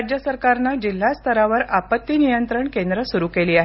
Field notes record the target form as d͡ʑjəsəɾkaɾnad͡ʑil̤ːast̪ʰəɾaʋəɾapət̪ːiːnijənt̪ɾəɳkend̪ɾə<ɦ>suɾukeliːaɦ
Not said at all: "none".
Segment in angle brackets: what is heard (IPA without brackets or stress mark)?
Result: none